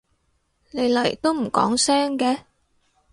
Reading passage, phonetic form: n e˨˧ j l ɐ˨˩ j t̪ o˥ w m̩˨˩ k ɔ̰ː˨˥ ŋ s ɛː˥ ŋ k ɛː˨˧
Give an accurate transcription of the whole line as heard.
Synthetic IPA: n e˨˧ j l ɐ˨˩ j t̪ o˥ w m̩˨˩ k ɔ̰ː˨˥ ŋ s ɛː˥ ŋ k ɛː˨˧